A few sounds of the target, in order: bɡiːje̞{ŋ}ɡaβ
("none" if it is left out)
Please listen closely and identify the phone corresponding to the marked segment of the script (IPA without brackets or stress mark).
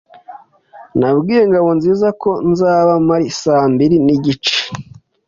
ŋ